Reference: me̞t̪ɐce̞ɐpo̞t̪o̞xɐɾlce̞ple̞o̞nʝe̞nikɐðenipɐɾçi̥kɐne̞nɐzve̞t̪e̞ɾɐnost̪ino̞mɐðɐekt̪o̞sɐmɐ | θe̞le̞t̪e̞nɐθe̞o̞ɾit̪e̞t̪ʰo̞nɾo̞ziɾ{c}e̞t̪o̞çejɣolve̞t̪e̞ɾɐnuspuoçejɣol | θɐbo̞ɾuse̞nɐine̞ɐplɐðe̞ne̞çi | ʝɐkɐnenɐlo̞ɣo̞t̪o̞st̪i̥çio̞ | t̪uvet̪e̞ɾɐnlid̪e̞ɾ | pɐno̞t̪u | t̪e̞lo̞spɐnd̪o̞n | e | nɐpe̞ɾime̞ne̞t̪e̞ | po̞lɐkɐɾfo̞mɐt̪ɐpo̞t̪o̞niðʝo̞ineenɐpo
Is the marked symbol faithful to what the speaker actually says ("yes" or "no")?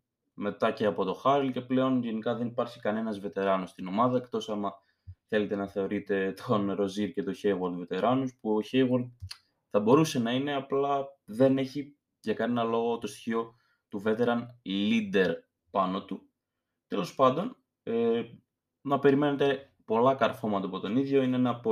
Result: yes